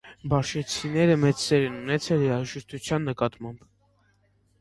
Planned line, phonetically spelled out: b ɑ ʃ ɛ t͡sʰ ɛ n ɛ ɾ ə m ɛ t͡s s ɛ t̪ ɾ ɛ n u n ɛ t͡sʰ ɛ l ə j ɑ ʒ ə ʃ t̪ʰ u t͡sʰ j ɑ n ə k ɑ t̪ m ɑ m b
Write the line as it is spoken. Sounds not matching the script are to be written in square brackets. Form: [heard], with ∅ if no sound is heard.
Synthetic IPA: b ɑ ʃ ɛ t͡sʰ [i] n ɛ ɾ ə m ɛ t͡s s ɛ [∅] ɾ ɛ n u n ɛ t͡sʰ ɛ l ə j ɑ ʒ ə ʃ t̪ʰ u t͡sʰ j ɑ [nː] ə k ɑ t̪ m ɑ m b